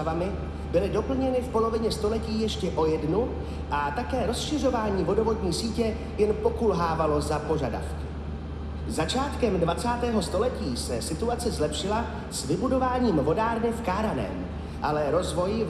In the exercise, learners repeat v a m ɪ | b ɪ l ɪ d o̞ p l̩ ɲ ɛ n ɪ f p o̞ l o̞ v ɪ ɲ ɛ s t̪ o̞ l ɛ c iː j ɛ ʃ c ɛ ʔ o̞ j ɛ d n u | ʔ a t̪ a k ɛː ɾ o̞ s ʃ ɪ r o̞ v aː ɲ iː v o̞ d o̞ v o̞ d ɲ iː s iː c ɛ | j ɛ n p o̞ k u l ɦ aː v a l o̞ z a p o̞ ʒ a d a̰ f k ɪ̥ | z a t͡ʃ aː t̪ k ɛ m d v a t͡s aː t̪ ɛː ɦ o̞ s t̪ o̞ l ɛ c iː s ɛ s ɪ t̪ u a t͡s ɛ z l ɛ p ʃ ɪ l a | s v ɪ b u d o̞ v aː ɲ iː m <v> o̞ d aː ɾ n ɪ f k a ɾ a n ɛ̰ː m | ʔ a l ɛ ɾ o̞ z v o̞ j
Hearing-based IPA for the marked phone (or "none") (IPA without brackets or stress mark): v